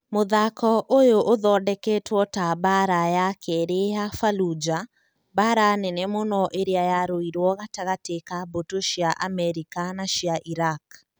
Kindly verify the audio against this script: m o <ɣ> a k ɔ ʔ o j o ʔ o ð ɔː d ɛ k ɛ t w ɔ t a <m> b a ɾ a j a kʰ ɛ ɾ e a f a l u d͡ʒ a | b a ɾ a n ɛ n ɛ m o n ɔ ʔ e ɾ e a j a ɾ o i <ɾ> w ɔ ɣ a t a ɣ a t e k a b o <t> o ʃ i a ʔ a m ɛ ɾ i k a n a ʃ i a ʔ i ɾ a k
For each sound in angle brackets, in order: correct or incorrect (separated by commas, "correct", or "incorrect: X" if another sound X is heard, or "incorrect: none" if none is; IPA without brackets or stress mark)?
incorrect: ð, incorrect: none, correct, correct